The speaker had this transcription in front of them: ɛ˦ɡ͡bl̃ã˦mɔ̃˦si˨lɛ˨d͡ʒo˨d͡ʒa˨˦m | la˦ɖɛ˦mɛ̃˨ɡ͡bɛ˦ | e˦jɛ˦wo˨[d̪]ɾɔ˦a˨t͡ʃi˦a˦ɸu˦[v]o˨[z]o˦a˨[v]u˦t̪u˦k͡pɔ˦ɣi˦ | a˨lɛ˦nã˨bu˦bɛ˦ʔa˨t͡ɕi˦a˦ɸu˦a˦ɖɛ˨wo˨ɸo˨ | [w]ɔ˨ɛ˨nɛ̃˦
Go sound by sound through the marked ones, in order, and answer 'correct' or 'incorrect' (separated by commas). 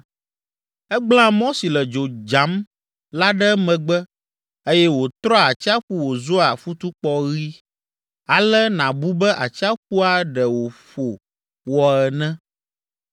incorrect, incorrect, correct, incorrect, correct